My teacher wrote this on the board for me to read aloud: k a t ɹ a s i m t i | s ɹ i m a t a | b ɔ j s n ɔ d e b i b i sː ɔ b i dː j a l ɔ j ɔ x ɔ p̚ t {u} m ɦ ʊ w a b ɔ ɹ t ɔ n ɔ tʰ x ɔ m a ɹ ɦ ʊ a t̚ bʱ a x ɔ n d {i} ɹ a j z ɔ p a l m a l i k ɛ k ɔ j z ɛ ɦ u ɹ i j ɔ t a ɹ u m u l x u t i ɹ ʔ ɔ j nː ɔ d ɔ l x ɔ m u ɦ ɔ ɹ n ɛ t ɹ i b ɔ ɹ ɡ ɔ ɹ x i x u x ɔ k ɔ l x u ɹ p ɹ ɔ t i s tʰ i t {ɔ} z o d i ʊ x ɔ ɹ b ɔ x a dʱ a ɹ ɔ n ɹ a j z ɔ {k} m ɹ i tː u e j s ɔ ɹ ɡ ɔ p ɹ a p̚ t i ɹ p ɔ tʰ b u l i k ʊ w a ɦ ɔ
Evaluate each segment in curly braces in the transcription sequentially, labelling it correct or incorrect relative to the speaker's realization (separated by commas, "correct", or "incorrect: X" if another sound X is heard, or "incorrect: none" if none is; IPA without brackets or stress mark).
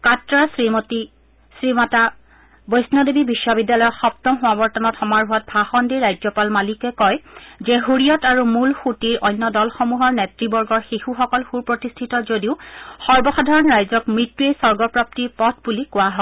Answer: incorrect: ɔ, correct, correct, correct